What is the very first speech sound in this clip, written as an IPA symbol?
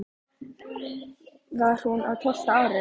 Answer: v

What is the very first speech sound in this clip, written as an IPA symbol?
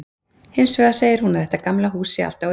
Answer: h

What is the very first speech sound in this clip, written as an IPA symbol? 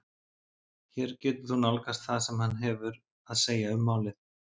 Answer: ç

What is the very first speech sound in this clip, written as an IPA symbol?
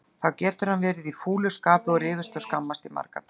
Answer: θ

